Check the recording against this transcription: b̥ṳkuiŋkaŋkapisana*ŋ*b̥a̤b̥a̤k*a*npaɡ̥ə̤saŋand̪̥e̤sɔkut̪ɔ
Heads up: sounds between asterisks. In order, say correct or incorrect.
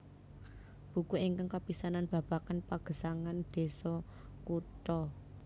incorrect, correct

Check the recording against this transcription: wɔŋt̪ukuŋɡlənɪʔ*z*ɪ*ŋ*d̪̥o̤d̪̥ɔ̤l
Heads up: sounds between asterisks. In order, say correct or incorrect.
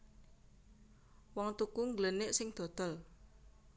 incorrect, correct

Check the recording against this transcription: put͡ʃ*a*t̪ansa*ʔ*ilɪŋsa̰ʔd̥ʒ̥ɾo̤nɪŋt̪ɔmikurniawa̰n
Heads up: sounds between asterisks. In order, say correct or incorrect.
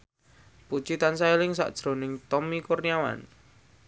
incorrect, incorrect

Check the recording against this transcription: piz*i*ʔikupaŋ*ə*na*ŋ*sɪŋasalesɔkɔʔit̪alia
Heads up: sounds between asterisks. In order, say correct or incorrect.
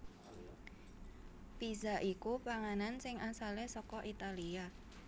incorrect, incorrect, incorrect

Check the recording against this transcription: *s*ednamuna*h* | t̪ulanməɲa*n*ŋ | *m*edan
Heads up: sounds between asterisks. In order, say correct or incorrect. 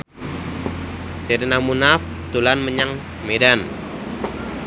correct, incorrect, incorrect, correct

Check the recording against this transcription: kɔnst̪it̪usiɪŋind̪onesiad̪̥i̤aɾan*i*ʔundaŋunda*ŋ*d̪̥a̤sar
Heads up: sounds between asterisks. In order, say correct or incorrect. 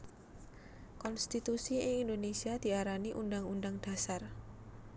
correct, correct

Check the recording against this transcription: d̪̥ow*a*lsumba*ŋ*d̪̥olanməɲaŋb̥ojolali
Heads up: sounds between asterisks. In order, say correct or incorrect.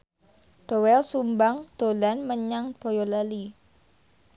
incorrect, correct

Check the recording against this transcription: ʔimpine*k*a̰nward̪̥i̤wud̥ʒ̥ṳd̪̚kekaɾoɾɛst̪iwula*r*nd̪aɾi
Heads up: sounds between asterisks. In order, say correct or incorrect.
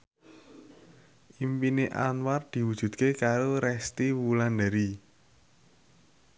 incorrect, incorrect

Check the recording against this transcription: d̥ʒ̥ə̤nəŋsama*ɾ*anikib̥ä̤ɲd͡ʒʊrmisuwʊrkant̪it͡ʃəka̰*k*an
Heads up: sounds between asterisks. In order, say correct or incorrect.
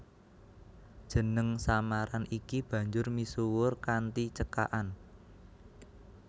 correct, incorrect

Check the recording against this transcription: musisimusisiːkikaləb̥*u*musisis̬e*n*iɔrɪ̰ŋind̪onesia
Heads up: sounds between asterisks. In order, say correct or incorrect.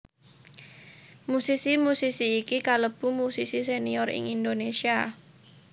correct, correct

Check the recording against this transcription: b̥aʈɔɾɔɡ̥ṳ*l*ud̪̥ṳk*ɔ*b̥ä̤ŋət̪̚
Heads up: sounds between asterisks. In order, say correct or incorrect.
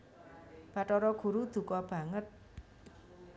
incorrect, correct

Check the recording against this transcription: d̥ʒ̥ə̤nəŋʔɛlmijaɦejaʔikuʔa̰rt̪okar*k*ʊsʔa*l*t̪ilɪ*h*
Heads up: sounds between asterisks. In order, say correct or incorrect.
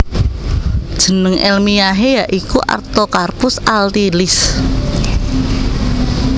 incorrect, correct, incorrect

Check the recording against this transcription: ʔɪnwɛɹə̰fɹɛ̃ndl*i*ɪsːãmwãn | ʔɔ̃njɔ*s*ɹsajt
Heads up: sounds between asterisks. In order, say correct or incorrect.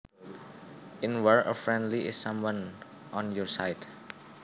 correct, incorrect

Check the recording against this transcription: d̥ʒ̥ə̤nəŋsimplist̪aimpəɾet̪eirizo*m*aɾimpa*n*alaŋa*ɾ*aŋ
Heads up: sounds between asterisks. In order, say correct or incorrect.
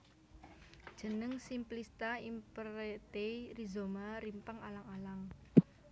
correct, incorrect, incorrect

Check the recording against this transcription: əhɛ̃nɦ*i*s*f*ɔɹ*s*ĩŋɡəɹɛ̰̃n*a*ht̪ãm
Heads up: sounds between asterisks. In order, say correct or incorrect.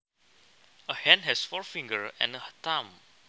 incorrect, correct, incorrect, incorrect

